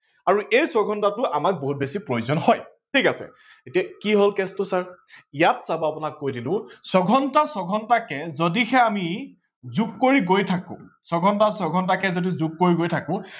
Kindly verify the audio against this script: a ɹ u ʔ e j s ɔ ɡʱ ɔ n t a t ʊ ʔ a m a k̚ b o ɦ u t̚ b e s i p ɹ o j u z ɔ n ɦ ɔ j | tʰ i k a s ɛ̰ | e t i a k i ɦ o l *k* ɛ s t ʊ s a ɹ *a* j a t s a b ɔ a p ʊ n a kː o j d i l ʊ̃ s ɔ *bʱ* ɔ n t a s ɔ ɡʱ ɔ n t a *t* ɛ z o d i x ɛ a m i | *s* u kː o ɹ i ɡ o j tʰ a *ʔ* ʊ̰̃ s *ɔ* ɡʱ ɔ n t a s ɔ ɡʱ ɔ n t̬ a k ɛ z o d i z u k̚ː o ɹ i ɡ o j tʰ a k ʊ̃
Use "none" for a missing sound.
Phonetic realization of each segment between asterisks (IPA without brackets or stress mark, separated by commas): k, i, ɡʱ, k, z, k, ɔ